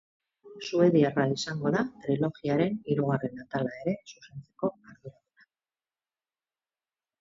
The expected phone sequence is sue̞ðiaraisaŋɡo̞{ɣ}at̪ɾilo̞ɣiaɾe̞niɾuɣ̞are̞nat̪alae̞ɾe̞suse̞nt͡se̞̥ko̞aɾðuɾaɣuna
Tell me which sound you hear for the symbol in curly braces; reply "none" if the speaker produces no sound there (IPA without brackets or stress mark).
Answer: ð